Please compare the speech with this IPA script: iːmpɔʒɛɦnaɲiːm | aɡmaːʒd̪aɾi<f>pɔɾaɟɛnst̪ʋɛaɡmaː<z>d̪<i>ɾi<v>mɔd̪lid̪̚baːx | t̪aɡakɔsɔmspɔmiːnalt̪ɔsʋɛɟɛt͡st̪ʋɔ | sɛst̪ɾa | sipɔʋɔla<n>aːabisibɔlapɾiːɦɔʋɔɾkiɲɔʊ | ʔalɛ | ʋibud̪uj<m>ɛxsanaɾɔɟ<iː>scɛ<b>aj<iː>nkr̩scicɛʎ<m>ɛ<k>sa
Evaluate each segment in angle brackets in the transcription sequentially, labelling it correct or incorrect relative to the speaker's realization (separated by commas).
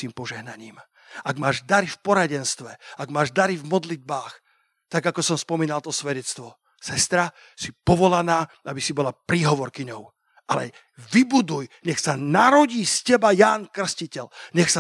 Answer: correct, incorrect, incorrect, correct, correct, incorrect, correct, correct, incorrect, incorrect, incorrect